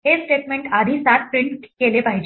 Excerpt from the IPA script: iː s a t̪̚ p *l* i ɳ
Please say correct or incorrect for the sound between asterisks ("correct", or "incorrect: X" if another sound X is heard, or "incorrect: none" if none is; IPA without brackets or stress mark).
incorrect: ɾ